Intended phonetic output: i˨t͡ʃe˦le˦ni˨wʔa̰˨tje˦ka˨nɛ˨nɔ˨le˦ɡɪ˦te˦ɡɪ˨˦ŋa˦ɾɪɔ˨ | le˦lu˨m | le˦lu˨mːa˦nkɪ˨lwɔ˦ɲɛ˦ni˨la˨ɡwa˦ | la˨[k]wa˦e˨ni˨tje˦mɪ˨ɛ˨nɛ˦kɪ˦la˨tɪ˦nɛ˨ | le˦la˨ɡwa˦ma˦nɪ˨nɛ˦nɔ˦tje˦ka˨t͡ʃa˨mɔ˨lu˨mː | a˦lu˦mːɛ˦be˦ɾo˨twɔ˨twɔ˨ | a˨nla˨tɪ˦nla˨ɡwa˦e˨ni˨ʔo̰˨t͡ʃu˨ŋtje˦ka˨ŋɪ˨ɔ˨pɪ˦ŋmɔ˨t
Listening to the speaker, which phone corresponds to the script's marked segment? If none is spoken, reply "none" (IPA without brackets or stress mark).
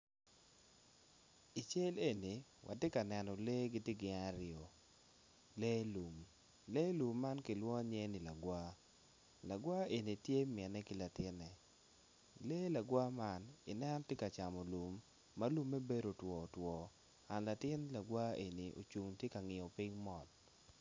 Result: ɡ